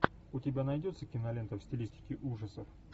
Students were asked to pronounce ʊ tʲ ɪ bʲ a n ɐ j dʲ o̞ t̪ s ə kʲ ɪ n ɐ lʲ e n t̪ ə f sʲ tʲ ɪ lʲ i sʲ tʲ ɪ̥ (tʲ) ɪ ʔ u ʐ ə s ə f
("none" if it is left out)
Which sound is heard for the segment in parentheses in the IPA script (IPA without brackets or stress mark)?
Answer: kʲ